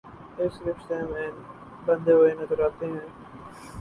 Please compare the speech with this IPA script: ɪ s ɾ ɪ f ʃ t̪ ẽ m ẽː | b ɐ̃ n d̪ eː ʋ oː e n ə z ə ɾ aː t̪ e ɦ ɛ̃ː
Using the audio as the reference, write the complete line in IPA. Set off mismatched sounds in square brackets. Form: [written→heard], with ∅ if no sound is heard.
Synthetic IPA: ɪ s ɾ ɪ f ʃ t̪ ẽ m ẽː | b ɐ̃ n d̪ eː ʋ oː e n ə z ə ɾ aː t̪ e ɦ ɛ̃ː